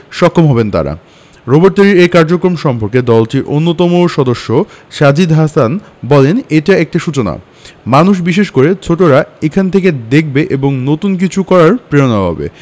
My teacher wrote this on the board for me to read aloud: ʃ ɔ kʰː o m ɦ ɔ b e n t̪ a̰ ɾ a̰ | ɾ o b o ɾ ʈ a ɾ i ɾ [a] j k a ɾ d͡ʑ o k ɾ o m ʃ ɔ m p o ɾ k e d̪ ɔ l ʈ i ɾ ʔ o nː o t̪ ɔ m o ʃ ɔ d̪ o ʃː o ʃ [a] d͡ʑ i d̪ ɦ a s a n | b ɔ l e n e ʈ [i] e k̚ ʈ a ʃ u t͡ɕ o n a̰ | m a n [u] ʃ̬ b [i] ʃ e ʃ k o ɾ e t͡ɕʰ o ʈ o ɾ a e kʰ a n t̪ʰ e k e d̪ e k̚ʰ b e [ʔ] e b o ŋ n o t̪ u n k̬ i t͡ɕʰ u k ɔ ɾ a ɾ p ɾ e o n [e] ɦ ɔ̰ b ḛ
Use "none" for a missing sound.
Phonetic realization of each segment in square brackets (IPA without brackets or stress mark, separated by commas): e, a, a, u, i, ʔ, a